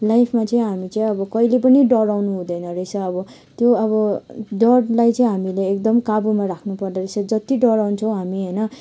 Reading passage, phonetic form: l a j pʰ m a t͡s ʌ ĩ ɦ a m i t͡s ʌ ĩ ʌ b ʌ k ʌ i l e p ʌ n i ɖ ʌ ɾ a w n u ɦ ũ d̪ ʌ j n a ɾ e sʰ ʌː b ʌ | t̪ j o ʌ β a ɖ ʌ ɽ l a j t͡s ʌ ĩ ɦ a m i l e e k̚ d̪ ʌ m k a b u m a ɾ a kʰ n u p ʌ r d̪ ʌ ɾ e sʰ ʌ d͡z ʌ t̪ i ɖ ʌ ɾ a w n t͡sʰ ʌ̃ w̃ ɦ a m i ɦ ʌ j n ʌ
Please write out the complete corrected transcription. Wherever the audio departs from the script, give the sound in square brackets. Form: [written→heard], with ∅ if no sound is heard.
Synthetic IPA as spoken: l a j pʰ m a t͡s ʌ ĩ ɦ a m i t͡s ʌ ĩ ʌ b ʌ k ʌ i l e p ʌ n i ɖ ʌ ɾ a w n u ɦ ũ d̪ ʌ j n [a→ʌ] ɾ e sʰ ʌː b ʌ | t̪ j o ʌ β [a→ʌ] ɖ ʌ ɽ l a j t͡s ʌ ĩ ɦ a m i l e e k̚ d̪ ʌ m k a b u m a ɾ a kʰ n u p ʌ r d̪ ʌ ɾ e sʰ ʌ d͡z ʌ t̪ i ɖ ʌ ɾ a w n t͡sʰ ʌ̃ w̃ ɦ a m i ɦ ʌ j n ʌ